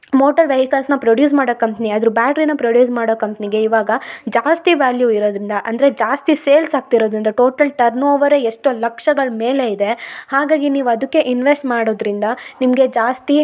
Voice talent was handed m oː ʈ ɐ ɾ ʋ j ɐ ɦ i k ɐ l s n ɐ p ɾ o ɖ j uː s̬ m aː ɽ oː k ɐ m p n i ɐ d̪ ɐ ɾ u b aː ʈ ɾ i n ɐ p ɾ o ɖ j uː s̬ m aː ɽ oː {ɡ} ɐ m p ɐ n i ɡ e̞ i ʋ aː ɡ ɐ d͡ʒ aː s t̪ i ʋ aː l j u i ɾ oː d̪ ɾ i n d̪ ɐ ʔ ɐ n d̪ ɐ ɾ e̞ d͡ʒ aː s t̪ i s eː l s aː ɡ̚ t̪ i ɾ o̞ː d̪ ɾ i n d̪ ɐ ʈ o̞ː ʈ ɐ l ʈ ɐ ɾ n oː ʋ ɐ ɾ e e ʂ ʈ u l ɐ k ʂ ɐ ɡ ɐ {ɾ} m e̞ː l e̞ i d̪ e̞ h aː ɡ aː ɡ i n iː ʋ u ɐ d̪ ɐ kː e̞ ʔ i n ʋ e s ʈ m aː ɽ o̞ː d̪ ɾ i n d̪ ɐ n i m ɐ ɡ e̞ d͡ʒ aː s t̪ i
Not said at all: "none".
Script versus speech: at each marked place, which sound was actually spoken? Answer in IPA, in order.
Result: k, ɭ

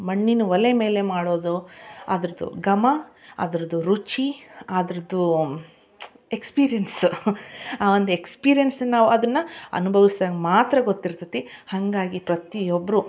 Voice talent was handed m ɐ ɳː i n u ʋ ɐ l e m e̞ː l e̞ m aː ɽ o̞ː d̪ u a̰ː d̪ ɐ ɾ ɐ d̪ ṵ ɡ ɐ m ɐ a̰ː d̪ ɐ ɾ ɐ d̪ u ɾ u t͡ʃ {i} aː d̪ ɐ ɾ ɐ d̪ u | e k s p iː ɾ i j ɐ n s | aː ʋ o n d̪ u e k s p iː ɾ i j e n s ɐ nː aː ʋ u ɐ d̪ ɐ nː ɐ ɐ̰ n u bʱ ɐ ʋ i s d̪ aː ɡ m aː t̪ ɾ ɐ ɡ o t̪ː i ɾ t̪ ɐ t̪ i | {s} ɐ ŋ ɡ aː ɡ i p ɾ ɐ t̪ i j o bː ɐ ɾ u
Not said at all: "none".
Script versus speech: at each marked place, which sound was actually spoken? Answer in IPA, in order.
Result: i, h

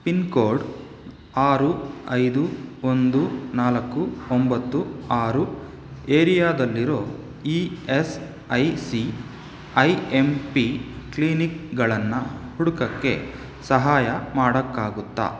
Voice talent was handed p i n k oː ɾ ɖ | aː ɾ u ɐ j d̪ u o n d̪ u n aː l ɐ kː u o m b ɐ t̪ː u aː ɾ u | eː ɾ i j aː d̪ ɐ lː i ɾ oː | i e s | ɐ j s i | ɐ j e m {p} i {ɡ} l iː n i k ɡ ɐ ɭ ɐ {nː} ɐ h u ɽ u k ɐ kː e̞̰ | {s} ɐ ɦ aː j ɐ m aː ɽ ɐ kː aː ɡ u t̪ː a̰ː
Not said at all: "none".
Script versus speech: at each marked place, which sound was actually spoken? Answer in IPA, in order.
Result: p, k, nː, s

